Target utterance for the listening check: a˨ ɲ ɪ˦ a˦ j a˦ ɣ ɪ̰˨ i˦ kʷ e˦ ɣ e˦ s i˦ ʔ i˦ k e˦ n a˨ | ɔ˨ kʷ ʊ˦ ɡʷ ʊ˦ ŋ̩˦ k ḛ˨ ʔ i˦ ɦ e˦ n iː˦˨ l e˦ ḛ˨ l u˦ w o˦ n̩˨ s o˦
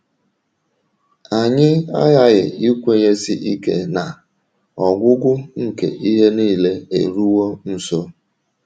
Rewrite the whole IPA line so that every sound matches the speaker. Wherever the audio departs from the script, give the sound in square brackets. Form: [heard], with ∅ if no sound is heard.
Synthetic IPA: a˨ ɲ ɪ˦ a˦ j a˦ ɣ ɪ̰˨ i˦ kʷ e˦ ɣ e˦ s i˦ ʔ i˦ k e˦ n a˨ | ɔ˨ [ɡʷ] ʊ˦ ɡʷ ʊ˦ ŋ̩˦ k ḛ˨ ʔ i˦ ɦ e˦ n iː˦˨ l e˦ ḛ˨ [ɾ] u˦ w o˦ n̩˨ s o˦